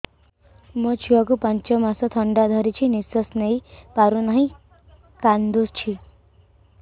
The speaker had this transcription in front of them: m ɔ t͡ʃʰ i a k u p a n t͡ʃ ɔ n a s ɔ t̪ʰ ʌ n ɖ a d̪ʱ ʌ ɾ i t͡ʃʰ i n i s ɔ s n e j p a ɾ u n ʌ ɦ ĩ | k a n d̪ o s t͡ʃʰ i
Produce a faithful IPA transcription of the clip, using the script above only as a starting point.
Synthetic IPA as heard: m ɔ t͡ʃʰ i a k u p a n t͡ʃ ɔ m a s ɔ t̪ʰ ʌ ɳ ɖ a d̪ʱ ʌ ɾ i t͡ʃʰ i n i s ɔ s n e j p a ɾ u n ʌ ɦ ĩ | k a n d̪ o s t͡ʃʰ i